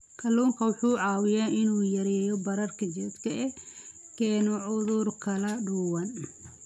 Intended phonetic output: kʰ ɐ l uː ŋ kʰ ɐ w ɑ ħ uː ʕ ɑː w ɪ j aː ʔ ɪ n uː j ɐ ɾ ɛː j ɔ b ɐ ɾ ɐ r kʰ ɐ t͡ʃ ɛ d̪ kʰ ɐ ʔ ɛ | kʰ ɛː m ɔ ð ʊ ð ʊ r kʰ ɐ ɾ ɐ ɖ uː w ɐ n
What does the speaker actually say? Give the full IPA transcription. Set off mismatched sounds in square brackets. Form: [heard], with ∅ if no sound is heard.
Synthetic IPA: kʰ ɐ l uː ŋ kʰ ɐ w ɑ ħ uː ʕ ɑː w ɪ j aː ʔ ɪ n uː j ɐ ɾ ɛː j ɔ b ɐ ɾ ɐ r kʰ ɐ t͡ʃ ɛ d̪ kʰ ɐ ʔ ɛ | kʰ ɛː [n] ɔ [ʕ] ʊ ð ʊ r kʰ ɐ [l] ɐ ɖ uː w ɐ n